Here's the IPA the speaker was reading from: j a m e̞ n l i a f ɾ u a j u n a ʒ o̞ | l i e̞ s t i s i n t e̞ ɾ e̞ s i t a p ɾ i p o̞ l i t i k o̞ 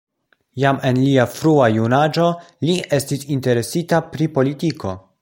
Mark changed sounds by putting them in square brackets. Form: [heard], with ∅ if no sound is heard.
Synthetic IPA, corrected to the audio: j a m e̞ n l i a f ɾ u a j u n a [d͡ʒ] o̞ | l i e̞ s t i s i n t e̞ ɾ e̞ s i t a p ɾ i p o̞ l i t i k o̞